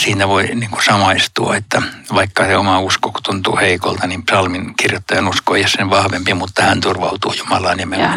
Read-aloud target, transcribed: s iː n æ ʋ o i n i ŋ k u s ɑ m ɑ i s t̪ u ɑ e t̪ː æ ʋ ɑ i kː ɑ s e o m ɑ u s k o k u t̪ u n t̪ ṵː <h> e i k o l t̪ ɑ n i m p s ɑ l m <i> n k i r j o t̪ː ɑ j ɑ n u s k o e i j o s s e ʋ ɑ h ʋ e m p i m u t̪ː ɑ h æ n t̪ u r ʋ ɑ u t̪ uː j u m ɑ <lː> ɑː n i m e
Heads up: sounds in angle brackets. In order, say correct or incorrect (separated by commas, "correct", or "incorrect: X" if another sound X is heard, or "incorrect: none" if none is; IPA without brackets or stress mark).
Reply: correct, correct, incorrect: l